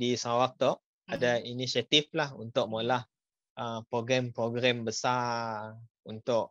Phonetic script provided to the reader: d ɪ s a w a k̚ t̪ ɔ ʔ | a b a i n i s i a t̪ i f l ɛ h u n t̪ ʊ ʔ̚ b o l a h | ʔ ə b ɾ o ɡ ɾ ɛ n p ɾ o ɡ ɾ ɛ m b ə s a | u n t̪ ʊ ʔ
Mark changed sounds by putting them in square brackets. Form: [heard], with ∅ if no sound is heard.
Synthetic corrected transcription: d [i] s a w a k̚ t̪ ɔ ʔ | a [d] a i n i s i a t̪ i f l [a] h u n t̪ ʊ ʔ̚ [m] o l a h | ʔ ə [p] ɾ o ɡ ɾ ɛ [m] p ɾ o ɡ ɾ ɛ m b ə s a | u n t̪ ʊ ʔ